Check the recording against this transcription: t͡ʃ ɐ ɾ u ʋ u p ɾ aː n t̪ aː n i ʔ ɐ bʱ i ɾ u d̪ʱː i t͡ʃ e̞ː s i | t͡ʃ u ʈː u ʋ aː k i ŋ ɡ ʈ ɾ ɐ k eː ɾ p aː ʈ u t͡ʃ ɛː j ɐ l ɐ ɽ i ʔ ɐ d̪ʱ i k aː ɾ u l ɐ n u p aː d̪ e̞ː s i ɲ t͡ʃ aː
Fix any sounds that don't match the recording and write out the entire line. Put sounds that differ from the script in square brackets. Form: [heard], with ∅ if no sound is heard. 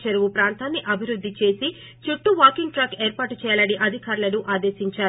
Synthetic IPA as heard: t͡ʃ ɐ ɾ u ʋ u p ɾ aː n t̪ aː [nː] i ʔ ɐ bʱ i ɾ u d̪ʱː i t͡ʃ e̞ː s i | t͡ʃ u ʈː u ʋ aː k i ŋ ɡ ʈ ɾ ɐ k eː ɾ p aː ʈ u t͡ʃ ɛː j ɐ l ɐ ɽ i ʔ ɐ d̪ʱ i k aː ɾ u l ɐ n u [ʔ] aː d̪ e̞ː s i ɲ t͡ʃ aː